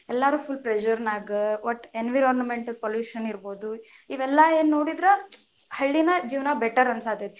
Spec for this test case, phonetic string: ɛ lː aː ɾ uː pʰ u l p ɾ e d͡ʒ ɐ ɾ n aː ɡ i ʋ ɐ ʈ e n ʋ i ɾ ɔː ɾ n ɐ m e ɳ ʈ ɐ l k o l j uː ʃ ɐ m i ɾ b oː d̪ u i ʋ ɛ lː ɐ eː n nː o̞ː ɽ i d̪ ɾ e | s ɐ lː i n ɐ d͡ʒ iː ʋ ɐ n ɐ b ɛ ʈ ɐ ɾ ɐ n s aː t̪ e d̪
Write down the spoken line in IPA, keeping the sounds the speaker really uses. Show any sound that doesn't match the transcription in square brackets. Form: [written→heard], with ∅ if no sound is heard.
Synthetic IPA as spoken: ɛ lː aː ɾ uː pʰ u l p ɾ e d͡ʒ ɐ ɾ n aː ɡ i ʋ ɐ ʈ e n ʋ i ɾ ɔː ɾ n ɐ m e ɳ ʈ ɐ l [k→p] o l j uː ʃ ɐ [m→n] i ɾ b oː d̪ u i ʋ ɛ lː ɐ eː n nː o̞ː ɽ i d̪ ɾ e | [s→h] ɐ [lː→ɭː] i n ɐ d͡ʒ iː ʋ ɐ n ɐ b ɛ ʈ ɐ ɾ ɐ n s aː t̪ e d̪